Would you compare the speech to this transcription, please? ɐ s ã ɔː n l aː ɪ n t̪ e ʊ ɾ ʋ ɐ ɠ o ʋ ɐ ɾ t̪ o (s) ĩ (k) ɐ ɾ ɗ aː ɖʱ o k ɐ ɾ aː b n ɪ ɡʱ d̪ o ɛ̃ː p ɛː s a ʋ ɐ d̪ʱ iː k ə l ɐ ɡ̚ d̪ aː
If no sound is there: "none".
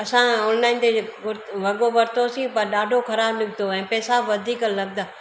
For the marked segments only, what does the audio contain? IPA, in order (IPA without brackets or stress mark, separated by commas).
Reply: s, p